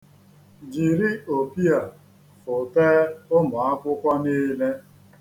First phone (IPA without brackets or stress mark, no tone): d͡ʒ